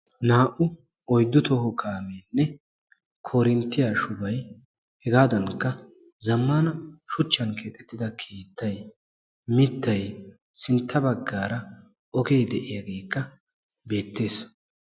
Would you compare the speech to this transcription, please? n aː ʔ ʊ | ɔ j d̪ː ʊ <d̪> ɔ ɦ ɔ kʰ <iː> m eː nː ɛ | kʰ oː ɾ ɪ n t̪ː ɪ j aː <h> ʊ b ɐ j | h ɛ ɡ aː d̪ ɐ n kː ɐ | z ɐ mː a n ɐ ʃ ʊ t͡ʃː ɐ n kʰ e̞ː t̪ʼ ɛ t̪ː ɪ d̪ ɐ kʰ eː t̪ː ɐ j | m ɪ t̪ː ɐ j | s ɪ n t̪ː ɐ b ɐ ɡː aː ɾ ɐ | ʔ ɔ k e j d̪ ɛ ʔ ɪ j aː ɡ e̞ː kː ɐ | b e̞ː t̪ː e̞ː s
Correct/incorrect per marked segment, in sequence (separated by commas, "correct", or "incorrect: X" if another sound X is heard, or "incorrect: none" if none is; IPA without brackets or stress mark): incorrect: t̪, incorrect: aː, incorrect: ʃ